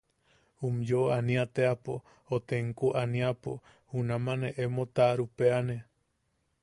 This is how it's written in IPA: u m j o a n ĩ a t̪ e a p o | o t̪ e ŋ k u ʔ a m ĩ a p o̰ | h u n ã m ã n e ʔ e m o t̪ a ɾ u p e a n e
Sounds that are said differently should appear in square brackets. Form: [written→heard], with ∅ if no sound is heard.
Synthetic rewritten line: u m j o a n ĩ a t̪ e a p o | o t̪ e ŋ k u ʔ a [m→n] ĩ a p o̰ | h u n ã m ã n e ʔ e m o t̪ a ɾ u p e a n e

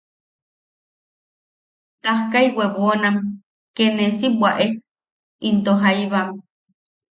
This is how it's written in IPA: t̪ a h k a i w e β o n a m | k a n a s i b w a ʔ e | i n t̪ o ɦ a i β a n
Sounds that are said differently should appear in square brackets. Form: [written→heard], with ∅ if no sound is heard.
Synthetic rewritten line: t̪ a h k a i w e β o n a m | k [a→e] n [a→e] s i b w a ʔ e | i n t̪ o ɦ a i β a [n→m]

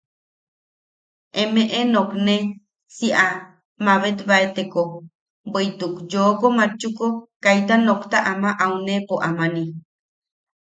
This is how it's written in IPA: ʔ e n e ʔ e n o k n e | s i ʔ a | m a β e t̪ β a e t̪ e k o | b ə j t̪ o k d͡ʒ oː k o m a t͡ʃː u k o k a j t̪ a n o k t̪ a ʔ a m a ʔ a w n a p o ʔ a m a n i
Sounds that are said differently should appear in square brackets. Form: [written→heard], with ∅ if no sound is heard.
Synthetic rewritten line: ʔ e [n→m] e ʔ e n o k n e | s i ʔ a | m a β e t̪ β a e t̪ e k o | b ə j t̪ [o→u] k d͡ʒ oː k o m a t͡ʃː u k o k a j t̪ a n o k t̪ a ʔ a m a ʔ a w n [a→e] p o ʔ a m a n i

